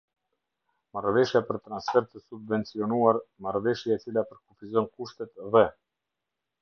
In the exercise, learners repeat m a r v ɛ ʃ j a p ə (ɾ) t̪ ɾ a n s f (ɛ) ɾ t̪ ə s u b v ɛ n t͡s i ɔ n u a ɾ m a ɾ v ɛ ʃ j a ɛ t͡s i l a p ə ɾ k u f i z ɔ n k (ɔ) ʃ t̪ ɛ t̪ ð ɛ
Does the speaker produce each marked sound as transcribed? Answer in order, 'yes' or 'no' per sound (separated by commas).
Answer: yes, yes, no